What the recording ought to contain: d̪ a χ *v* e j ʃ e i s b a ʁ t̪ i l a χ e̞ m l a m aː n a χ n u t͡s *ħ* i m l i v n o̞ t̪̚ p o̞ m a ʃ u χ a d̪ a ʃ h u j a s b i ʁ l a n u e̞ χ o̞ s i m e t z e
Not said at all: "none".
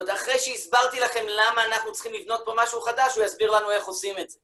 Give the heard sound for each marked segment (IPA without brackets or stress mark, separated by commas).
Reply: ʁ, χ